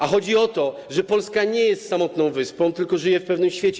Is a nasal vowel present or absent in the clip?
present